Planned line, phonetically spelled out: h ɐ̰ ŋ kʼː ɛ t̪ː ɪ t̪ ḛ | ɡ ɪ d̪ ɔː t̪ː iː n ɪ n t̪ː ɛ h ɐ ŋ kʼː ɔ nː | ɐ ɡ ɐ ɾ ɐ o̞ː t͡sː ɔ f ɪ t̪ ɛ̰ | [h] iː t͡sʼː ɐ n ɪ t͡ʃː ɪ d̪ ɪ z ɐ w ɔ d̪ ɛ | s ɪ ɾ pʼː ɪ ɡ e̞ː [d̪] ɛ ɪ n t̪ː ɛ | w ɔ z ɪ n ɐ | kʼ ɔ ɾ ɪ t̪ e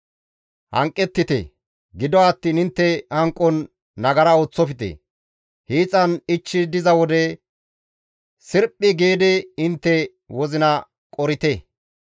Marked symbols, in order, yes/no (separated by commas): yes, yes